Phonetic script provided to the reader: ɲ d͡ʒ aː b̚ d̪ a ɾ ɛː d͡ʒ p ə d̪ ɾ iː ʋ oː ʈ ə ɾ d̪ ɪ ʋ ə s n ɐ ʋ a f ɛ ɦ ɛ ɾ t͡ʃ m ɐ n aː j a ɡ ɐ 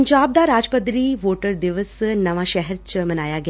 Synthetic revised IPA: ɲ d͡ʒ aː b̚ d̪ a ɾ aː d͡ʒ p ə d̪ ɾ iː ʋ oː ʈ ə ɾ d̪ ɪ ʋ ə s n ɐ ʋ a ʃ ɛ ɦ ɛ ɾ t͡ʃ m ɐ n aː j a ɡ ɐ